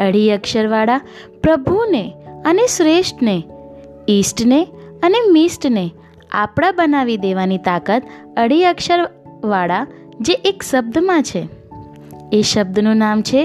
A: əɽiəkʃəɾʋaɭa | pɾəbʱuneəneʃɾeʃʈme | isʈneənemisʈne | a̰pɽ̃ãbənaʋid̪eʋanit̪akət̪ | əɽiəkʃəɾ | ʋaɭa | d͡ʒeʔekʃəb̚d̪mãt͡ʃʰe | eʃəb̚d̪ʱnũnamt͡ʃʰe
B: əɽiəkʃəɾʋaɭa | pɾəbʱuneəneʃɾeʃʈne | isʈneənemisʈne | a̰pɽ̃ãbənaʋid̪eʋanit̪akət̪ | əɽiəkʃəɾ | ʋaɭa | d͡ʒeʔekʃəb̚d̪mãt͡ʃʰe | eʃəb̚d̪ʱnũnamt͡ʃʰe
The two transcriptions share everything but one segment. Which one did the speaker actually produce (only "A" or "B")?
B